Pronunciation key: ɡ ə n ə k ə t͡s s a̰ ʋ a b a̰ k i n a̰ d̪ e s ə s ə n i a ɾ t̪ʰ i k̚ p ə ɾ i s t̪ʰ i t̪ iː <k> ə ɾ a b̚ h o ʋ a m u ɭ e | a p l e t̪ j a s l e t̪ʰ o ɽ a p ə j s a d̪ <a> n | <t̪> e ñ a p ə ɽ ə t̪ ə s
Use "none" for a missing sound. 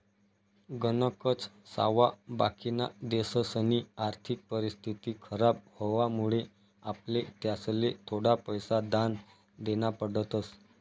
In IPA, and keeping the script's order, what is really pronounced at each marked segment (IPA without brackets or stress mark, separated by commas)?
kʰ, a, d̪